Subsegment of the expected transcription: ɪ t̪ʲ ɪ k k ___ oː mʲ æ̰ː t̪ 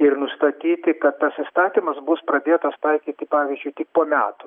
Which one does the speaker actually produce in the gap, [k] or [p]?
p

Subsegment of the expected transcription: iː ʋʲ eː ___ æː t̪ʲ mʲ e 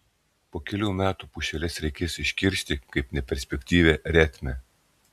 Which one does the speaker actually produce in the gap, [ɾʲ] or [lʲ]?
ɾʲ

